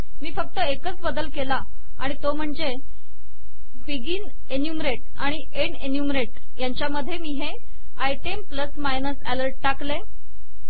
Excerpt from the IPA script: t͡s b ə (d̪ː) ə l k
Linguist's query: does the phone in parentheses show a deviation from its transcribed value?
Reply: yes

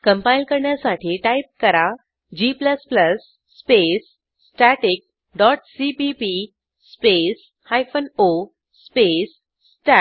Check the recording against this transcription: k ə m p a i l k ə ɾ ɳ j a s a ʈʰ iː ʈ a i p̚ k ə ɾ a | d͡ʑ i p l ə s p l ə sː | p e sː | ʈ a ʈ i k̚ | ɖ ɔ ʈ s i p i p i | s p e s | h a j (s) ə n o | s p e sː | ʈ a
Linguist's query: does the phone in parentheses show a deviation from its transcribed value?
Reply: yes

